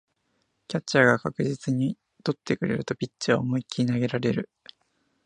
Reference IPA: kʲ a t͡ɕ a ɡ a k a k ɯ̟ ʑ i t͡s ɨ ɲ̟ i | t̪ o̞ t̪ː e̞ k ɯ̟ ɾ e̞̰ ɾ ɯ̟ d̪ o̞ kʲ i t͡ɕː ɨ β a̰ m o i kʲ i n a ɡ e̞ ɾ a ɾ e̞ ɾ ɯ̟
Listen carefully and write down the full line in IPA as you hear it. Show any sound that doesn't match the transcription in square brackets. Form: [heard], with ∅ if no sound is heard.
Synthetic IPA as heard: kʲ a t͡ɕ a ɡ a k a k ɯ̟ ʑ i t͡s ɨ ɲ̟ i | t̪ o̞ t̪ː e̞ k ɯ̟ ɾ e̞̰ ɾ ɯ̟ [t̪] o̞ [pʲ] i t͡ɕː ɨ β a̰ m o i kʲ i n a ɡ e̞ ɾ a ɾ e̞ ɾ ɯ̟